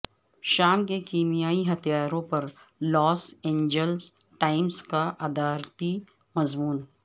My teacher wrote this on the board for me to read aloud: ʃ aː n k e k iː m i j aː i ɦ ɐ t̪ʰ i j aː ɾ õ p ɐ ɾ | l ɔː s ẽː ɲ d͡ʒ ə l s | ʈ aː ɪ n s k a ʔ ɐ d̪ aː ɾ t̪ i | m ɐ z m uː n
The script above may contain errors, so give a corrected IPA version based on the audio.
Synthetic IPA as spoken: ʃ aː m k e k iː m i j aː i ɦ ɐ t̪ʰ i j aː ɾ õ p ɐ ɾ | l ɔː s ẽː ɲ d͡ʒ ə l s | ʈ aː ɪ m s k a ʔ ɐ d̪ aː ɾ t̪ i | m ɐ z m uː n